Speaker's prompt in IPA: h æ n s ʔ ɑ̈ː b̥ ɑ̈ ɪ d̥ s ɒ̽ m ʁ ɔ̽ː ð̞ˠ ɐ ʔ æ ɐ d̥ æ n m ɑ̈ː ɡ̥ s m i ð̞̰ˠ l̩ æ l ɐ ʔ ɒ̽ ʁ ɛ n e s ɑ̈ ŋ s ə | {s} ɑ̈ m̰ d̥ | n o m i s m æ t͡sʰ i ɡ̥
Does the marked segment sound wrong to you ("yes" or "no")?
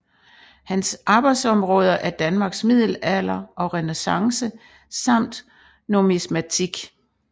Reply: no